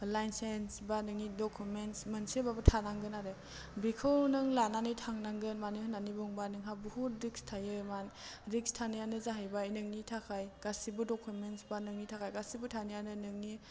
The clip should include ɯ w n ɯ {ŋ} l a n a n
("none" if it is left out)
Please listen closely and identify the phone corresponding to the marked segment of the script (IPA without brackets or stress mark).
ŋ